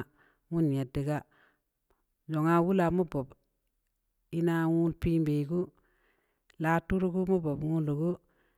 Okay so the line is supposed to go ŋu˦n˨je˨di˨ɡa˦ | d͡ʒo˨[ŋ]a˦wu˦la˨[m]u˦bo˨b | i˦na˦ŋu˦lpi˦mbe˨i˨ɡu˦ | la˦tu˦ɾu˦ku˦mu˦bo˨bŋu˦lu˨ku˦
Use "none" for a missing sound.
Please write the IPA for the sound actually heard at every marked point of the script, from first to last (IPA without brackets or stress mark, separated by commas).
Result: ŋ, m